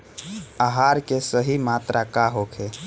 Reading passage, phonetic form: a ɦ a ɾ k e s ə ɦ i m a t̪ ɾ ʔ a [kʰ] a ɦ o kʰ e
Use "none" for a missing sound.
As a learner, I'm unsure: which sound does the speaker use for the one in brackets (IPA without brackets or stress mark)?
k